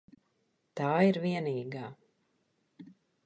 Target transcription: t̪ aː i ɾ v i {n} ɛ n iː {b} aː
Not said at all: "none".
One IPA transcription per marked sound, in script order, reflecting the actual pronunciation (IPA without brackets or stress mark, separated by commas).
none, ɡ